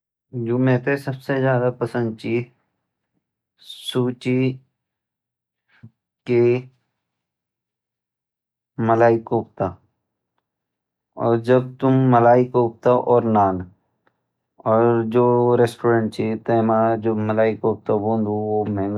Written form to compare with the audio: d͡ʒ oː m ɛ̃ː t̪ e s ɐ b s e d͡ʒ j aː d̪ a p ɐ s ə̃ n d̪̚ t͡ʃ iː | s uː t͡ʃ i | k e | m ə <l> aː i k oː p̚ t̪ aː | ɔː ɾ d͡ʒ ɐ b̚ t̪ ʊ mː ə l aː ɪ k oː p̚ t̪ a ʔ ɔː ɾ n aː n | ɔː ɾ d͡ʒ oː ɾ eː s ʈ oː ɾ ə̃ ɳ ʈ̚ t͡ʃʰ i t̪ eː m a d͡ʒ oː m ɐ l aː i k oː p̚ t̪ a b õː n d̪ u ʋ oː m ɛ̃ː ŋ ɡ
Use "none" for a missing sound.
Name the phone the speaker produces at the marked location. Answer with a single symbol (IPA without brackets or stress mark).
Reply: l